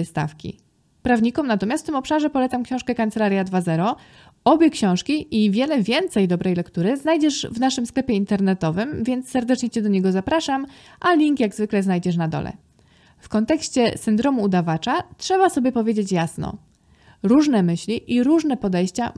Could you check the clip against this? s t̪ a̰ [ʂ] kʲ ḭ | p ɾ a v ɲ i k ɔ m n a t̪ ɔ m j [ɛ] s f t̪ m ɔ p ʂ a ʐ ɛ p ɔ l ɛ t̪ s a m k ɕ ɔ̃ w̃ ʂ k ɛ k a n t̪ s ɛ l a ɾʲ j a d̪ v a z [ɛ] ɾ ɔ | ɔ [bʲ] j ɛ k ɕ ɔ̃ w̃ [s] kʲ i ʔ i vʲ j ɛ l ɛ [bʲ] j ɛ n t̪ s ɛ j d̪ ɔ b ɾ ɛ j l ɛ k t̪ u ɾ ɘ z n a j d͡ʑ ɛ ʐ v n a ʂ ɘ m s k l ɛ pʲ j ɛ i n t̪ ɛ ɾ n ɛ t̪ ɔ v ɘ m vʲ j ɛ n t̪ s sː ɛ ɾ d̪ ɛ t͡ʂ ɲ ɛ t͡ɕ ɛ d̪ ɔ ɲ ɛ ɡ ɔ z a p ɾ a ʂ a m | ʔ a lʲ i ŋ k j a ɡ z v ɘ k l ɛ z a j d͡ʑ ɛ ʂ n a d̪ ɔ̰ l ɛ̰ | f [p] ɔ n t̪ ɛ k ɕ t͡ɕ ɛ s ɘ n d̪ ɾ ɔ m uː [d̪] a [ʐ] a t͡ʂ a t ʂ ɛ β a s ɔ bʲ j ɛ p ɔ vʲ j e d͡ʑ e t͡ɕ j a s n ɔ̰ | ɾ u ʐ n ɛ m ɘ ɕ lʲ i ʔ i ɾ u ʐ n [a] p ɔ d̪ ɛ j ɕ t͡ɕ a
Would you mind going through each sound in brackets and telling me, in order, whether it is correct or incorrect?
incorrect: f, incorrect: a, correct, correct, incorrect: ʂ, incorrect: vʲ, incorrect: k, correct, incorrect: v, incorrect: ɛ

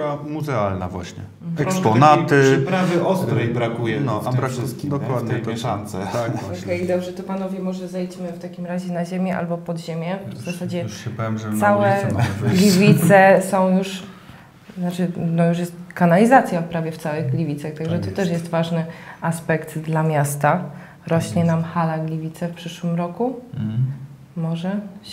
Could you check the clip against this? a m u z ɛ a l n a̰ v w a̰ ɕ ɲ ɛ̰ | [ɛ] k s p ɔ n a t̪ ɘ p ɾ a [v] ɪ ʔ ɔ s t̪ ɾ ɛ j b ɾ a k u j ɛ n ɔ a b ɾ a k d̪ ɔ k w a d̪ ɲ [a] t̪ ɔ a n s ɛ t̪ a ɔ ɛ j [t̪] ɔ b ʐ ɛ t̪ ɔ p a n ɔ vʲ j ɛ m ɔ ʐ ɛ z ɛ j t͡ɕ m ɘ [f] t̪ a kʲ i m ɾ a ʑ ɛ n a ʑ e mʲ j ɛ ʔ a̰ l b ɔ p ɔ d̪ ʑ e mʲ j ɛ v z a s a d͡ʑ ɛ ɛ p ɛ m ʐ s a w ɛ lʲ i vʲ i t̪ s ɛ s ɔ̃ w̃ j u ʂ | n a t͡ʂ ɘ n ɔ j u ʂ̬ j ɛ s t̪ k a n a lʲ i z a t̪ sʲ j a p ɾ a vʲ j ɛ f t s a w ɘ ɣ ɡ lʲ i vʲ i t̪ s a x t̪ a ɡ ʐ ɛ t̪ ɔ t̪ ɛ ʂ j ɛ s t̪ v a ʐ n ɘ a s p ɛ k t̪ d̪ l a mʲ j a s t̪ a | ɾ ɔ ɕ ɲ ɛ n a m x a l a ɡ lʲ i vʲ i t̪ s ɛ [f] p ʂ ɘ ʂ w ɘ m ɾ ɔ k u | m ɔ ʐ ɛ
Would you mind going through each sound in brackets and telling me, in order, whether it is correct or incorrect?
correct, correct, incorrect: ɛ, incorrect: d̪, correct, correct

